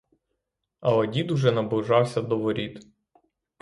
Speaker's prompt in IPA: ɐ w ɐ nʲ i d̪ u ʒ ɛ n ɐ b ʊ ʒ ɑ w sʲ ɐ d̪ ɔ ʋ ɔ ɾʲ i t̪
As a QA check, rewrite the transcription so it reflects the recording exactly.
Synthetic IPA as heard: ɐ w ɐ dʲ i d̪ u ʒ ɛ n ɐ b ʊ ʒ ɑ w sʲ ɐ d̪ ɔ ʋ ɔ ɾʲ i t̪